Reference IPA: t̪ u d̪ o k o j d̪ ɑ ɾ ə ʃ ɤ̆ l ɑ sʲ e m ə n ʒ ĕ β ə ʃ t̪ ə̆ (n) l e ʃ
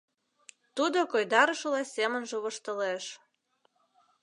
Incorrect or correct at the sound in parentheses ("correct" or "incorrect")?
incorrect